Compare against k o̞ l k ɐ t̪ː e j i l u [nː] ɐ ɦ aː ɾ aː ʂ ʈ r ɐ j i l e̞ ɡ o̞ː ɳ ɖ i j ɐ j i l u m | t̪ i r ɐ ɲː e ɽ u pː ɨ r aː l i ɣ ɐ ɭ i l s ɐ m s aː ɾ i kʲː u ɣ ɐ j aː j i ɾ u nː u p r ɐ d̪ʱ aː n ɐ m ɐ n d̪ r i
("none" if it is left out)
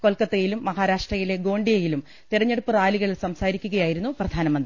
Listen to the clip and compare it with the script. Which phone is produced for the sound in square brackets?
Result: mː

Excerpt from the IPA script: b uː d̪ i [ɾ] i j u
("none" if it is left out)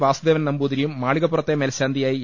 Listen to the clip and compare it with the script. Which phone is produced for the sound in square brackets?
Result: ɾ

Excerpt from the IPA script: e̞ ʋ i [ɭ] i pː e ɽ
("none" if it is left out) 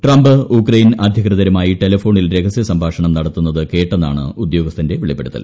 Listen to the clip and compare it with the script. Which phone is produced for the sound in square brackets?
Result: ɭ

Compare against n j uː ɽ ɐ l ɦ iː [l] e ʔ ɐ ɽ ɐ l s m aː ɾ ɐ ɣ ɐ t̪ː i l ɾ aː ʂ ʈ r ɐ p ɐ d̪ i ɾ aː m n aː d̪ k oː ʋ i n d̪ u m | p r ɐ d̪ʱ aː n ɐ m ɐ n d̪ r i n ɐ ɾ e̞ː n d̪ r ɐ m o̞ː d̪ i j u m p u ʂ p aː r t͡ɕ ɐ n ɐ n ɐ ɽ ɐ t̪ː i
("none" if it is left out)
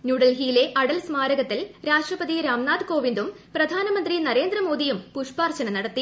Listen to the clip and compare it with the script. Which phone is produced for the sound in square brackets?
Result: l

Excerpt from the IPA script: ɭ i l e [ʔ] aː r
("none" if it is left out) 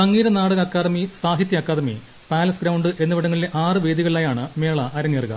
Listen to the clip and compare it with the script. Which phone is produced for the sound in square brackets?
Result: ʔ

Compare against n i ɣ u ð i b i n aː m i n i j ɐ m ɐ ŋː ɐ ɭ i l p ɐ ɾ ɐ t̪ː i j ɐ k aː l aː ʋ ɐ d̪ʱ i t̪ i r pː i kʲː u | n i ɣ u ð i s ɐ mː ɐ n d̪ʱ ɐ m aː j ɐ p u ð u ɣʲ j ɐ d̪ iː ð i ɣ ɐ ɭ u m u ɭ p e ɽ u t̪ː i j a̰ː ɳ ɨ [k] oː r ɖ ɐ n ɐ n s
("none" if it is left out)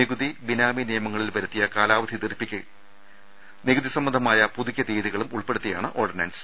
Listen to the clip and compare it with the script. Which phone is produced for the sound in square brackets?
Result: ʔ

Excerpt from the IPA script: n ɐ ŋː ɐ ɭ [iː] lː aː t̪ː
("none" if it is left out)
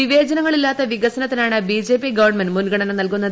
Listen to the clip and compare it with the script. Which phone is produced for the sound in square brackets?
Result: i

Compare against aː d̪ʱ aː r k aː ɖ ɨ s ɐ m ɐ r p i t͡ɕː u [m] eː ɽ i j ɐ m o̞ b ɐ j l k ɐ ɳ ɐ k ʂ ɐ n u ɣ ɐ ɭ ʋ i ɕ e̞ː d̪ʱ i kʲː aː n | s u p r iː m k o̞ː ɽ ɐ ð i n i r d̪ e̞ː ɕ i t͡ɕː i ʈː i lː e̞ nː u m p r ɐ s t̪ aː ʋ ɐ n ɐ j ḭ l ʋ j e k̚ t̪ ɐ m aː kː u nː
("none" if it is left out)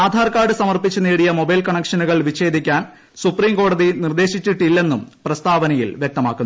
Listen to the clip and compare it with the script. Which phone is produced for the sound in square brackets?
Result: n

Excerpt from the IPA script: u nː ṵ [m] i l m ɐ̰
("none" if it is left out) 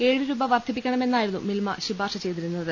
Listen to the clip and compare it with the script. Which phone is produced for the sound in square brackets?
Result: m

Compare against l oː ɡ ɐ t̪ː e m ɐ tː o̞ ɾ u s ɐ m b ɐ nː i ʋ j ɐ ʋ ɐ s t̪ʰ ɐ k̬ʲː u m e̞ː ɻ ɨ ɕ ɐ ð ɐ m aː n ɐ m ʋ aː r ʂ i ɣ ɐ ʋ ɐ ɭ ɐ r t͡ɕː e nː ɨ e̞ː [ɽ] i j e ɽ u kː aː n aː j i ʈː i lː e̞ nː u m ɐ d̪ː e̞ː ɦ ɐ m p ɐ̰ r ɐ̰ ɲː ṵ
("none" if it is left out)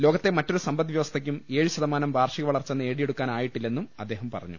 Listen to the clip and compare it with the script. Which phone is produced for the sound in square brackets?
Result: ɽ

